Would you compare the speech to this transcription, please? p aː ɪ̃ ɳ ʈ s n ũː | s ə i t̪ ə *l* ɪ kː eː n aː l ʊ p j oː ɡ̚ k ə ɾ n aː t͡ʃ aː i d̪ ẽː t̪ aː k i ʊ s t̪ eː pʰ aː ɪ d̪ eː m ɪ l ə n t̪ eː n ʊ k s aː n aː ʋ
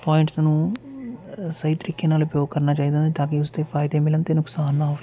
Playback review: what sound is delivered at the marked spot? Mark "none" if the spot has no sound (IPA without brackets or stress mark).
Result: ɾ